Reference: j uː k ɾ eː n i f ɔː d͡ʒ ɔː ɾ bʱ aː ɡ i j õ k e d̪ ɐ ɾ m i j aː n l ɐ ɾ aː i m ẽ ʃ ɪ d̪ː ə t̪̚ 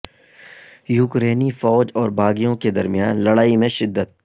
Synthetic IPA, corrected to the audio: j uː k ɾ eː n i f ɔː d͡ʒ ɔː ɾ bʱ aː ɡ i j õ k e d̪ ɐ ɾ m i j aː n l ɐ ɽ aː i m ẽ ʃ ɪ d̪ː ə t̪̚